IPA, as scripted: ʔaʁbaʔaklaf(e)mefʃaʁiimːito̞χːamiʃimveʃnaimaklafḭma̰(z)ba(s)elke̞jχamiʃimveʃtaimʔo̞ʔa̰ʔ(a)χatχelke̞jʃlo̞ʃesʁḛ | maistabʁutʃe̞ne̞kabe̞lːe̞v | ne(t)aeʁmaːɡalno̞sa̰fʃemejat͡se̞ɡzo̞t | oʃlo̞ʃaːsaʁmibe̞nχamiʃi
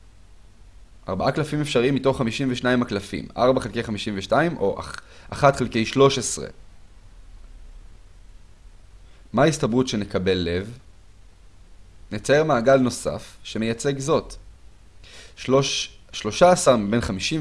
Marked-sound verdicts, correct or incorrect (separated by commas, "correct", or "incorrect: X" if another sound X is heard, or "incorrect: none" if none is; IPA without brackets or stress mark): incorrect: i, incorrect: ʁ, incorrect: χ, correct, incorrect: t͡s